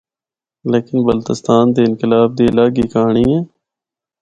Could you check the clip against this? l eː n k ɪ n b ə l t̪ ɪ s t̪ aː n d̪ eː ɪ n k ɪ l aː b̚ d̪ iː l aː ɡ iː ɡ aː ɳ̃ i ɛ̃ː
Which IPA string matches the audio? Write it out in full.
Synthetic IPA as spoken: l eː k ɪ n b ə l t̪ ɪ s t̪ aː n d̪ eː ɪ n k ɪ l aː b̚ d̪ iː l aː ɡ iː k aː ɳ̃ i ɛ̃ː